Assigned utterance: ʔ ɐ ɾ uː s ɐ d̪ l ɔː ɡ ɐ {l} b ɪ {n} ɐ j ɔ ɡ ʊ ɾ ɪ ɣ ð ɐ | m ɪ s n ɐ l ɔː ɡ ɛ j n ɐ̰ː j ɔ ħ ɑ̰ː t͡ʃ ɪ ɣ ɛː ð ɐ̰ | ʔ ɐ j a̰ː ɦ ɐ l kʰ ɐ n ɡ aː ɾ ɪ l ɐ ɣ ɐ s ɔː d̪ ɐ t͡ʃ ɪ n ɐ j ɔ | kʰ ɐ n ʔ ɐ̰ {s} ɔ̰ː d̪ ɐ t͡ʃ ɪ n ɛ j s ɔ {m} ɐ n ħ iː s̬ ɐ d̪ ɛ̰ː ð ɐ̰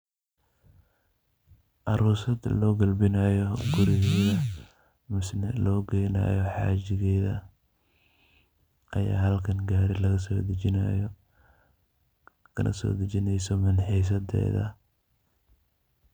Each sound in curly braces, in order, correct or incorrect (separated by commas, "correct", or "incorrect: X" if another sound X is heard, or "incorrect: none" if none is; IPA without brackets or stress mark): correct, correct, correct, correct